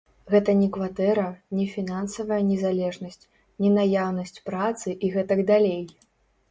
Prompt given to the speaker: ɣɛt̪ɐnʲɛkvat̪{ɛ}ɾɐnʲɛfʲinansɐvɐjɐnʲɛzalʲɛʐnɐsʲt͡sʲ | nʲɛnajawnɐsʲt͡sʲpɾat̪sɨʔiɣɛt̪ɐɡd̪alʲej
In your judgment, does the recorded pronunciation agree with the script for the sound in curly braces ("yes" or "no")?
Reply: yes